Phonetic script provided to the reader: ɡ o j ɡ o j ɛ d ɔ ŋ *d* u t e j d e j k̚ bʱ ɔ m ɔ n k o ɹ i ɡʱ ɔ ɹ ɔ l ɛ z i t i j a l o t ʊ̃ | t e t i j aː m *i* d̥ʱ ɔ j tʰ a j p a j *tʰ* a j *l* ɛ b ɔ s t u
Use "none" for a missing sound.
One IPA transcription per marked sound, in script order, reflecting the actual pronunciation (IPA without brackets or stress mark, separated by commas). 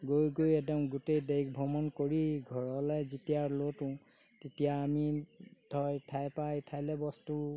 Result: ɡ, i, tʰ, l